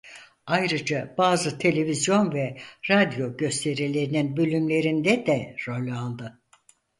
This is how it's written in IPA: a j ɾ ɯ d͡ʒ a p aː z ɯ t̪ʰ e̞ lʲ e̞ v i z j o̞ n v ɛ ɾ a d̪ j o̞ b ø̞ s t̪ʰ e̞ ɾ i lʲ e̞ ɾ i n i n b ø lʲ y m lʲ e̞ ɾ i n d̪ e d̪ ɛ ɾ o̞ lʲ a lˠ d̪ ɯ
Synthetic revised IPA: a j ɾ ɯ d͡ʒ a b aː z ɯ t̪ʰ e̞ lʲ e̞ v i z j o̞ n v ɛ ɾ a d̪ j o̞ ɟ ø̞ s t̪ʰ e̞ ɾ i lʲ e̞ ɾ i n i n b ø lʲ y m lʲ e̞ ɾ i n d̪ ɛ d̪ ɛ ɾ o̞ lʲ a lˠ d̪ ɯ

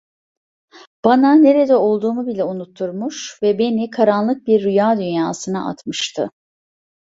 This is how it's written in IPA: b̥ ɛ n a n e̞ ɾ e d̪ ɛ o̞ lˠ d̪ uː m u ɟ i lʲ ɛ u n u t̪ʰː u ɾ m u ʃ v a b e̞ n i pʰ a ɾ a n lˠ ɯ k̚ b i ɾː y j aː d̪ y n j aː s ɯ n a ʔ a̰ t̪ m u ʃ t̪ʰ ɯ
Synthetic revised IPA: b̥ a n a n e̞ ɾ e d̪ ɛ o̞ lˠ d̪ uː m u b i lʲ ɛ u n u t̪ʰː u ɾ m u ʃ v ɛ b e̞ n i kʰ a ɾ a n lˠ ɯ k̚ b i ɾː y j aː d̪ y n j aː s ɯ n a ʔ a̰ t̪ m ɯ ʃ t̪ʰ ɯ

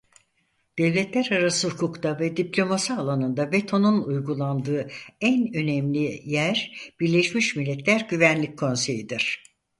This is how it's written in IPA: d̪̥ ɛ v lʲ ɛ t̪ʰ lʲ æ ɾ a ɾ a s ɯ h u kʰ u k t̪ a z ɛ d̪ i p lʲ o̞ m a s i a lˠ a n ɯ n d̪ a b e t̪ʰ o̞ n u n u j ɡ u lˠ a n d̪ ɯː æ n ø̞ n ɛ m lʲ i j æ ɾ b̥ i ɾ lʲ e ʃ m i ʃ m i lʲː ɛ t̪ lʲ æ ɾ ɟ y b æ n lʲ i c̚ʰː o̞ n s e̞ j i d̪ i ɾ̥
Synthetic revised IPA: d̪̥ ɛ v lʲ ɛ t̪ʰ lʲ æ ɾ a ɾ a s ɯ h u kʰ u k t̪ a v ɛ d̪ i p lʲ o̞ m a s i a lˠ a n ɯ n d̪ a b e t̪ʰ o̞ n u n u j ɡ u lˠ a n d̪ ɯː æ n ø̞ n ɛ m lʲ i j æ ɾ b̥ i ɾ lʲ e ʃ m i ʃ m i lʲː ɛ t̪ lʲ æ ɾ ɟ y v æ n lʲ i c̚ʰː o̞ n s e̞ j i d̪ i ɾ̥

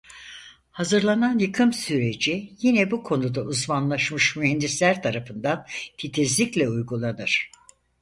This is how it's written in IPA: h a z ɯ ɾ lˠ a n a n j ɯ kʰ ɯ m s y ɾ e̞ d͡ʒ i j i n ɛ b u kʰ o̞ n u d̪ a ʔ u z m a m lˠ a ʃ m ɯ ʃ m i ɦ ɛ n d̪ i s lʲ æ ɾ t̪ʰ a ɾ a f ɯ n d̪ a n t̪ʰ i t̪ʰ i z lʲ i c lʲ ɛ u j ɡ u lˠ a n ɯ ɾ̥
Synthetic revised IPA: h a z ɯ ɾ lˠ a n a n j ɯ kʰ ɯ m s y ɾ e̞ d͡ʒ i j i n ɛ b u kʰ o̞ n u d̪ a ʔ u z m a n lˠ a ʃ m ɯ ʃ m y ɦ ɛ n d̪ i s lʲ æ ɾ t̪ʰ a ɾ a f ɯ n d̪ a n t̪ʰ i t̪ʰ i z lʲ i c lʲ ɛ u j ɡ u lˠ a n ɯ ɾ̥

